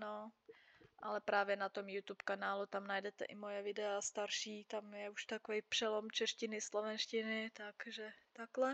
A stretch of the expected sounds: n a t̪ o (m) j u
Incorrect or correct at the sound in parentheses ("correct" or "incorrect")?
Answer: correct